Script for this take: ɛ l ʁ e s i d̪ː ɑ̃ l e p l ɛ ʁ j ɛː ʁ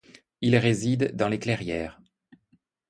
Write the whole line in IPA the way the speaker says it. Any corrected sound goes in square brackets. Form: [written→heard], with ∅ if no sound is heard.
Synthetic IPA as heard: [ɛ→i] l ʁ e [s→z] i d̪ː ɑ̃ l e [p→k] l ɛ ʁ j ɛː ʁ